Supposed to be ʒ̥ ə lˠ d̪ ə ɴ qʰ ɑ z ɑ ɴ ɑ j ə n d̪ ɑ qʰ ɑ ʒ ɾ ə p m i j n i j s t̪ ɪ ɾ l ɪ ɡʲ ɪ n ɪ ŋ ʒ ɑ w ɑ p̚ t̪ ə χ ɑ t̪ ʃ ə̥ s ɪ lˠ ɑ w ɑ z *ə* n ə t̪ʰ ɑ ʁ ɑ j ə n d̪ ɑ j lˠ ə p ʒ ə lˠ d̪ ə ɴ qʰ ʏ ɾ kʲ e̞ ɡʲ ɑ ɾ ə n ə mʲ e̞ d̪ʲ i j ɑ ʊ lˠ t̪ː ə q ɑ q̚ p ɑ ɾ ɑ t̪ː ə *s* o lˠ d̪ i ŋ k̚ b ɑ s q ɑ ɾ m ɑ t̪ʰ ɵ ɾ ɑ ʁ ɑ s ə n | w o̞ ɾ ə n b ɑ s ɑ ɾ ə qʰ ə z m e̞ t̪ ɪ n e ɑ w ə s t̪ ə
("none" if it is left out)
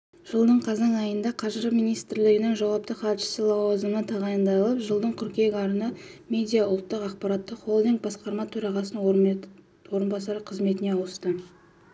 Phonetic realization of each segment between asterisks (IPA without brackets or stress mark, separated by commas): ə, χ